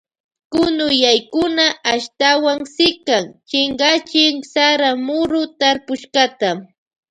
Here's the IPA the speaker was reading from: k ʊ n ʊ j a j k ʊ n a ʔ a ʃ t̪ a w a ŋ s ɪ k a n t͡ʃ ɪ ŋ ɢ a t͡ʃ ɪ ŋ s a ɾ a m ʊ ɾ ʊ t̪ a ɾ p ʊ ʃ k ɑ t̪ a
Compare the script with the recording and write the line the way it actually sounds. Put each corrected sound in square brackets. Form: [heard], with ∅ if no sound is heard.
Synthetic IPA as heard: k ʊ n ʊ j a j k ʊ n a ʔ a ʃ t̪ a w a ŋ s ɪ k a [ŋ] t͡ʃ ɪ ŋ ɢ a t͡ʃ ɪ ŋ s a ɾ a m ʊ ɾ ʊ t̪ a ɾ p ʊ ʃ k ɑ t̪ a